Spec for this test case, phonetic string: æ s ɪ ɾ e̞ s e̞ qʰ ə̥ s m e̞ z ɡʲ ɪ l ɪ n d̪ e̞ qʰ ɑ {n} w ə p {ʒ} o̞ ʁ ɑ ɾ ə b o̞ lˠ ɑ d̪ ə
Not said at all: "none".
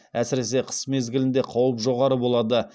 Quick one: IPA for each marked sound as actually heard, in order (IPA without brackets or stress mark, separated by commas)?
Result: none, ʒ